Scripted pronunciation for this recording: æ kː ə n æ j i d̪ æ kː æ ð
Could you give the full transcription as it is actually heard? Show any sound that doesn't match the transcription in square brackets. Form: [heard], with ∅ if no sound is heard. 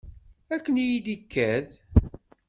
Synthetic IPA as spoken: æ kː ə n [i] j i d̪ [i] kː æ ð